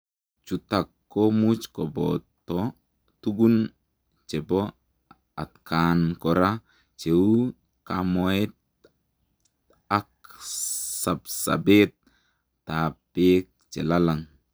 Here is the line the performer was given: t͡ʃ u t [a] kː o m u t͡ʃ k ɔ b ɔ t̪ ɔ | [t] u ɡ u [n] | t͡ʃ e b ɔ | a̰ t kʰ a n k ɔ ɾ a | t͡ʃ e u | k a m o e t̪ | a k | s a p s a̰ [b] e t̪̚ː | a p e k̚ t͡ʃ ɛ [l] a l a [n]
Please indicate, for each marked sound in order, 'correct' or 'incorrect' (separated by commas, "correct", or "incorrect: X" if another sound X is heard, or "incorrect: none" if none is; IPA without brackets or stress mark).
correct, correct, correct, correct, correct, incorrect: ŋ